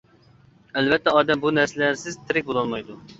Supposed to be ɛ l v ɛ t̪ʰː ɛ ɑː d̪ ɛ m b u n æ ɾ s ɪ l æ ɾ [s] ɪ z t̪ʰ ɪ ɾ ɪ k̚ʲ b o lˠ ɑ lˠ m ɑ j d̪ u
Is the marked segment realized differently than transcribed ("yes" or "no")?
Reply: no